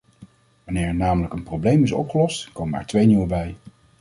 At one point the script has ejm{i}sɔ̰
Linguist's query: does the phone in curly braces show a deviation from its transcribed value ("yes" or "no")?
yes